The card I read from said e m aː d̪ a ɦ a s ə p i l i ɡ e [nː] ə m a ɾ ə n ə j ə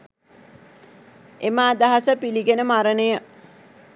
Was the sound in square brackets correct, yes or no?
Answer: no